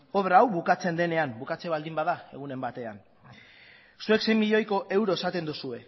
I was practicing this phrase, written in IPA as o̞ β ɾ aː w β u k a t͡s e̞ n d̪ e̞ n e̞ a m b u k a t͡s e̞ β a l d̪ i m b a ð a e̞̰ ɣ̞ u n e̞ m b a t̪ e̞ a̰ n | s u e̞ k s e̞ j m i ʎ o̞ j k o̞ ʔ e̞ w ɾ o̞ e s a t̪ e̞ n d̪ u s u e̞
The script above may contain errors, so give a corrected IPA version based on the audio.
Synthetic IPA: o̞ β ɾ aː w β u k a t͡s e̞ n d̪ e̞ n e̞ a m b u k a t͡s e̞ β a l d̪ i m b a ð a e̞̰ ɣ̞ u n e̞ m b a t̪ e̞ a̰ n | s u e̞ k s e̞ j m i ʎ o̞ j k o̞ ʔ e̞ w ɾ o̞ e s a t̪ e̞ n d̪ u s u e̞